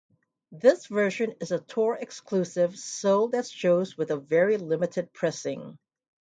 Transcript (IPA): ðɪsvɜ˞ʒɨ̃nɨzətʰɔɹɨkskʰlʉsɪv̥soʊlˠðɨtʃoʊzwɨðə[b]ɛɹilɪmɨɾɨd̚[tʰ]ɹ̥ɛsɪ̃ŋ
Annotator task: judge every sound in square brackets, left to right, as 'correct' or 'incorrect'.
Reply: incorrect: v, incorrect: pʰ

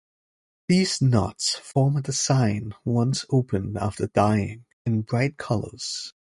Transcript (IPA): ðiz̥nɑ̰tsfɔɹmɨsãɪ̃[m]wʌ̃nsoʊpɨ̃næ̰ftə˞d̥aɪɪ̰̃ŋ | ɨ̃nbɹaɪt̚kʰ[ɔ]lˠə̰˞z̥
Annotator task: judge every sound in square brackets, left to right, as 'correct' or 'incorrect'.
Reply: incorrect: n, incorrect: ʌ

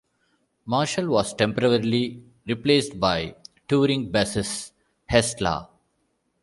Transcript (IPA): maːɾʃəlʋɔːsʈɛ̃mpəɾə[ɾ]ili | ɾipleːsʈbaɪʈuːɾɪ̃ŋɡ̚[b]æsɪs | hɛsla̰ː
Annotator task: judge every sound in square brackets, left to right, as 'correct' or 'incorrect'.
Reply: correct, correct

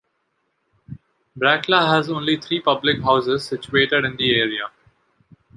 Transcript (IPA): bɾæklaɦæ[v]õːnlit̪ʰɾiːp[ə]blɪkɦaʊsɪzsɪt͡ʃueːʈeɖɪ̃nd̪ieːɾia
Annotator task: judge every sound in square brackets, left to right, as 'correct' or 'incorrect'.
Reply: incorrect: z, incorrect: ʌ

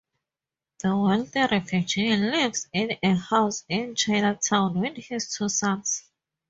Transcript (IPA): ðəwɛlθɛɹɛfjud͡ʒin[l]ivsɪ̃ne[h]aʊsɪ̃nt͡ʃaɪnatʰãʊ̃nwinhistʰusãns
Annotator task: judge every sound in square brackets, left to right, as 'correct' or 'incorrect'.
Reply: correct, correct

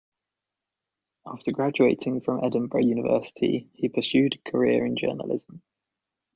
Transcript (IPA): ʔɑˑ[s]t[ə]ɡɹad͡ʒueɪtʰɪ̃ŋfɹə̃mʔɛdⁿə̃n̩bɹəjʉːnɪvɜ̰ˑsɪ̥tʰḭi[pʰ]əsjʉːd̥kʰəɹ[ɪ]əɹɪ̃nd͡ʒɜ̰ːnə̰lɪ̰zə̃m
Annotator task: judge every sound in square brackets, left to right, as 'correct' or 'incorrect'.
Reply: incorrect: f, correct, correct, correct

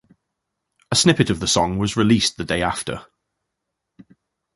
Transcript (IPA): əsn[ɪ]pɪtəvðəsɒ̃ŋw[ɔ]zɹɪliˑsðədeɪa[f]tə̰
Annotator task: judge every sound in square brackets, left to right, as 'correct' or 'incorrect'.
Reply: correct, incorrect: ɒ, correct

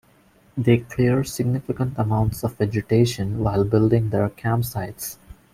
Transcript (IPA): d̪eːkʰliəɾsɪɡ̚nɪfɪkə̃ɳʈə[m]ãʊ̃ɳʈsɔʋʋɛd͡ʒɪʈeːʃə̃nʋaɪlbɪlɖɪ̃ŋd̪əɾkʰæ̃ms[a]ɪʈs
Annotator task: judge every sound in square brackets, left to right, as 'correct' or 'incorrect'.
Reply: correct, correct

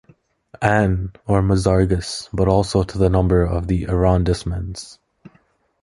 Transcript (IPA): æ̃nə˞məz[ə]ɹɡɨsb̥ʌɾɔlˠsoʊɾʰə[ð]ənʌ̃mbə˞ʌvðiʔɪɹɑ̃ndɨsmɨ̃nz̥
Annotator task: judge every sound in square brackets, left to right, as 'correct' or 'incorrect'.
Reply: incorrect: ɑ, correct

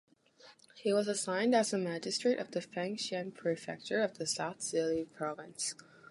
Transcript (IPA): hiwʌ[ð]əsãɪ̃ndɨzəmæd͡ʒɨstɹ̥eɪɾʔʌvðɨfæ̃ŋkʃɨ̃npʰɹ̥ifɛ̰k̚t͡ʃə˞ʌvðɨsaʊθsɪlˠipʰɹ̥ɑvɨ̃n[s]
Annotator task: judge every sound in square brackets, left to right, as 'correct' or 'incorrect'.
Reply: incorrect: z, correct

